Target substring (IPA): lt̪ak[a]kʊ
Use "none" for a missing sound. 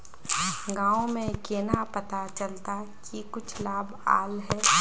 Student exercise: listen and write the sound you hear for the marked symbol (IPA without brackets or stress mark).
i